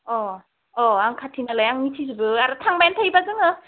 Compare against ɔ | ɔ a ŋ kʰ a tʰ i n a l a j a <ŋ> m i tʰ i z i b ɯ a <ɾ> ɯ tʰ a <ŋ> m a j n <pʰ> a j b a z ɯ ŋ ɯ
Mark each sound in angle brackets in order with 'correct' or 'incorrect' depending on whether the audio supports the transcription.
correct, correct, correct, incorrect

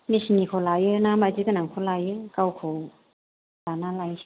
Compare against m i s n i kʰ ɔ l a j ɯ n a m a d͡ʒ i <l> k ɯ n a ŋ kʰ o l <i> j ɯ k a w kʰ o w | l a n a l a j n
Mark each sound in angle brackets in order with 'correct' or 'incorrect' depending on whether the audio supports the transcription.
incorrect, incorrect

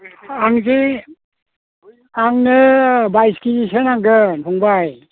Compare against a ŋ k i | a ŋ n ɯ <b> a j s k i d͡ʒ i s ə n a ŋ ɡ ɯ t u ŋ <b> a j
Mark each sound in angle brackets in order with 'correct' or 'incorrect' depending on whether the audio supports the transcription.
correct, correct

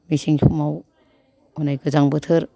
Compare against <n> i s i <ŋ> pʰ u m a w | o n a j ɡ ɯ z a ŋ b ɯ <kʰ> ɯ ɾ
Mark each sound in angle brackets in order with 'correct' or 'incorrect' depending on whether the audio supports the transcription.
incorrect, correct, incorrect

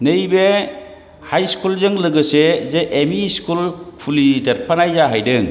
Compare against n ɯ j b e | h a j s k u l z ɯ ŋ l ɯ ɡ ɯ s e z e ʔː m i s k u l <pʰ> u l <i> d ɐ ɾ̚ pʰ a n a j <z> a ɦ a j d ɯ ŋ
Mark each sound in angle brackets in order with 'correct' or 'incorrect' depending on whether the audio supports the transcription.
incorrect, correct, correct

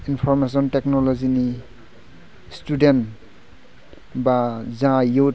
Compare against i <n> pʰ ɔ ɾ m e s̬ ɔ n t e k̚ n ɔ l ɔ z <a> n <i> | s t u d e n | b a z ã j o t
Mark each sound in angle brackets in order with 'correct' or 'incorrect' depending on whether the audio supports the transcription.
correct, incorrect, correct

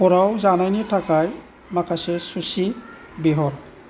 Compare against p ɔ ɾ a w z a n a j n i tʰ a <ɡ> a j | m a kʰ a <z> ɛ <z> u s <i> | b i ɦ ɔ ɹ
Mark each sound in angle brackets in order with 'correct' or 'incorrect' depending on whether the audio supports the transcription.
incorrect, incorrect, incorrect, correct

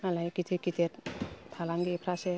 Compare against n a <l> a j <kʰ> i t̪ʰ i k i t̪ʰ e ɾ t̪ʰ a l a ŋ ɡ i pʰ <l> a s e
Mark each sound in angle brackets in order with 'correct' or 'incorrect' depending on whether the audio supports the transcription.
correct, incorrect, incorrect

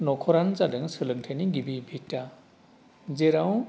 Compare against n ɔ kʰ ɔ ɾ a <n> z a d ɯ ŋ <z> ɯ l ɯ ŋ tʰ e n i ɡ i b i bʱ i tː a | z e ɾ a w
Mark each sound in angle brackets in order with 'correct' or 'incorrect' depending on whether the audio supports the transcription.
correct, incorrect

